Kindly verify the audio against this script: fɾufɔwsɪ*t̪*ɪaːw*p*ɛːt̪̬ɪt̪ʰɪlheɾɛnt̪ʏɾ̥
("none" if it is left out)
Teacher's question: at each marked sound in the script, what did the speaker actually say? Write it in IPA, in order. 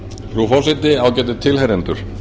t̪, c

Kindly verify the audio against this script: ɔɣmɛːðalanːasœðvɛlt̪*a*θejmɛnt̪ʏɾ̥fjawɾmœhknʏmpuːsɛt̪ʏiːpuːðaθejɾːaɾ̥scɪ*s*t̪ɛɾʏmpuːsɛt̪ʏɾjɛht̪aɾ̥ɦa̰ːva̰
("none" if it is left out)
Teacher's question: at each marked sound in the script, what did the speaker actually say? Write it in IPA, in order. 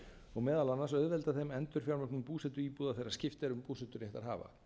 a, f

